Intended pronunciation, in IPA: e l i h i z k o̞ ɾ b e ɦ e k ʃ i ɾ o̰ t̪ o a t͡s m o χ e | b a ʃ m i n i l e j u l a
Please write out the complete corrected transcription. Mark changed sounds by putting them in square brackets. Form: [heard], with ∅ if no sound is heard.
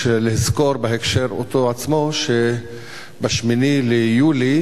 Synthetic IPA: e l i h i z k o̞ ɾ b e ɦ e k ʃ [e] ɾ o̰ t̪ o a t͡s m o [ʃ] e | b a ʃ m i n i l e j u l [i]